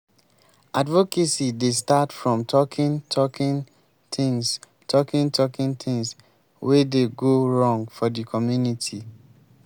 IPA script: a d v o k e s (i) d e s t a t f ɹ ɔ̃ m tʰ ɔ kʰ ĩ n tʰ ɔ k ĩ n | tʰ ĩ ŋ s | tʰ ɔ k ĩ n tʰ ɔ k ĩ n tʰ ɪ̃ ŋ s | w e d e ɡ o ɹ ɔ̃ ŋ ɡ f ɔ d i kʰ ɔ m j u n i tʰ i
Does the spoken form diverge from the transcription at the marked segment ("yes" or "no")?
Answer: no